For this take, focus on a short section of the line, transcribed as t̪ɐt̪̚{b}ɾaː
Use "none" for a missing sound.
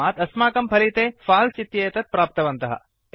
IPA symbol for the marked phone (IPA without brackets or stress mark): p